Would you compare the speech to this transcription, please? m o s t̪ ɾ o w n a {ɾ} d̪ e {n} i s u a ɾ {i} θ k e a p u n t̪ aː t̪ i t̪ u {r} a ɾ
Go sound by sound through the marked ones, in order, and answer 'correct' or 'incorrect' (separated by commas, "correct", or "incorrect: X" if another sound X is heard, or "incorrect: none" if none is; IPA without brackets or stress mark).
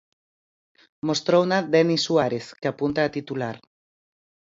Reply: incorrect: none, correct, incorrect: e, incorrect: l